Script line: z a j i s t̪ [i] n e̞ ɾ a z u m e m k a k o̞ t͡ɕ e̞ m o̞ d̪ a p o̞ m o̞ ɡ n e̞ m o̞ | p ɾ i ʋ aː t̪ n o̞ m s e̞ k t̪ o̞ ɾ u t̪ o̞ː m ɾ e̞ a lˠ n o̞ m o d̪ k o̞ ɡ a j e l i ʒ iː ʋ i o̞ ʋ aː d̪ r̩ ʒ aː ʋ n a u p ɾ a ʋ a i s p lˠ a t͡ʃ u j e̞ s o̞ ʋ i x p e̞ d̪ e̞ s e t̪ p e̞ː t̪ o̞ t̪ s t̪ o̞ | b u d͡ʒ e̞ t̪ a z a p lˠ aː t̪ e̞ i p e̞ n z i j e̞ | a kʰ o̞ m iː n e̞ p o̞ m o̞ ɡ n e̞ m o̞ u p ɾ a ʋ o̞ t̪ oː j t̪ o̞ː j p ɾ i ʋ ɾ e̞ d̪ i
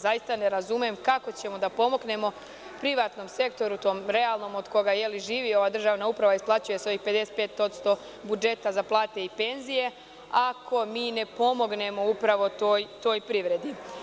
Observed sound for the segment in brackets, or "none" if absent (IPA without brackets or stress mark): a